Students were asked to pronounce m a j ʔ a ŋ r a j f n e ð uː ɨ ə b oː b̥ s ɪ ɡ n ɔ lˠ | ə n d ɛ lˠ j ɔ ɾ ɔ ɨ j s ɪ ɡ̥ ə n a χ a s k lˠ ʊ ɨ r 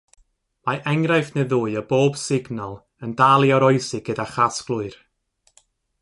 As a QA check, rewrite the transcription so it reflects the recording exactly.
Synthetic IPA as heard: m a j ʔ ɛ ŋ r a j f n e ð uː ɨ ə b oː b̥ s ɪ ɡ n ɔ lˠ | ə n d a lˠ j ɔ ɾ ɔ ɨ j s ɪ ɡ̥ ə d a χ a s k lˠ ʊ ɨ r